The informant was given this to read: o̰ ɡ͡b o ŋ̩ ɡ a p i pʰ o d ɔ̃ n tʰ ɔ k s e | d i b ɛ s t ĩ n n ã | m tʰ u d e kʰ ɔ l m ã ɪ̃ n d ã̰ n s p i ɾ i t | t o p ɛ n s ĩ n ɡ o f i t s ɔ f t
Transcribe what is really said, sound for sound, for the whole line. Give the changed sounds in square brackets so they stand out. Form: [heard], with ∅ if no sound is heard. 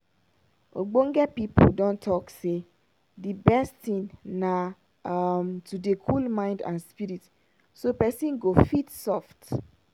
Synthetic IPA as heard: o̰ ɡ͡b o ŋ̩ ɡ [ɛ] p i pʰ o d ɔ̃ n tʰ ɔ k s e | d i b ɛ s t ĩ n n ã | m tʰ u d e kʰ [u] l m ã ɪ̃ n d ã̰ n s p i ɾ i t | [s] o p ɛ [∅] s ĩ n ɡ o f i t s ɔ f t